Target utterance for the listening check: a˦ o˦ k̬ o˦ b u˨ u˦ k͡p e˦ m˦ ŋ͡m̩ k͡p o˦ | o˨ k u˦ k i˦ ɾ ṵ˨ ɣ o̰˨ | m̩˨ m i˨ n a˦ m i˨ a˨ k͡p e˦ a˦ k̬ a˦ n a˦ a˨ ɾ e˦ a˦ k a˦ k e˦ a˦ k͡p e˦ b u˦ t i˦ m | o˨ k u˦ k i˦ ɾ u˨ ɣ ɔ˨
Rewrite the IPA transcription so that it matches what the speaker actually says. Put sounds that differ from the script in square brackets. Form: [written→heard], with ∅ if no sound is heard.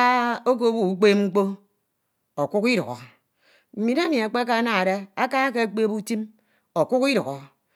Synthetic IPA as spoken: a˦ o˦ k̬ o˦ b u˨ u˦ k͡p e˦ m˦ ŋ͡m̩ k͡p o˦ | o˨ k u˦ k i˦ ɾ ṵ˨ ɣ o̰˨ | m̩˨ m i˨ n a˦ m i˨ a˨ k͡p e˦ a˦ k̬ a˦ n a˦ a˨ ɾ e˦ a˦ k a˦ k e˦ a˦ k͡p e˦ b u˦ t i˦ m | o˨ k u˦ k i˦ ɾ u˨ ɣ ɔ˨